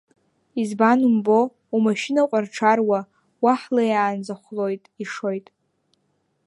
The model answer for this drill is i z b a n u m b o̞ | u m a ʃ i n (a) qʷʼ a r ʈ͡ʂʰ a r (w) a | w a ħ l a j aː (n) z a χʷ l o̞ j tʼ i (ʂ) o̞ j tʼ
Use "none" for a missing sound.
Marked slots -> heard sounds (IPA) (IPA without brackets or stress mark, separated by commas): a, w, n, ʂ